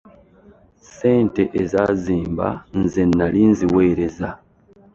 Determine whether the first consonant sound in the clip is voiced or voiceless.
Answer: voiceless